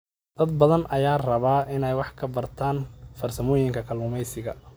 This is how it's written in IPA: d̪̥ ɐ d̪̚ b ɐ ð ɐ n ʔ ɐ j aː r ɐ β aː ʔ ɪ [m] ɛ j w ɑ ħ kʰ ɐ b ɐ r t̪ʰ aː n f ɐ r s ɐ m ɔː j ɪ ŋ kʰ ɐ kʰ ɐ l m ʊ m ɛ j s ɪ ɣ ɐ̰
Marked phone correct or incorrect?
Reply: incorrect